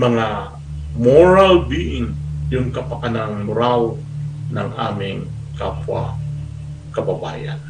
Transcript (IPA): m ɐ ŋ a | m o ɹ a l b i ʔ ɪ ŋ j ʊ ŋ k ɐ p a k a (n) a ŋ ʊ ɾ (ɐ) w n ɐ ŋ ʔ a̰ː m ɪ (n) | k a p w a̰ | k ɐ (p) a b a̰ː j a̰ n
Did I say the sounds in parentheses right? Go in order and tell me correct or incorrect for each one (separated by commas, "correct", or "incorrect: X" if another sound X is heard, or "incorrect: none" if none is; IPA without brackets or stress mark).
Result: correct, incorrect: a, incorrect: ŋ, incorrect: b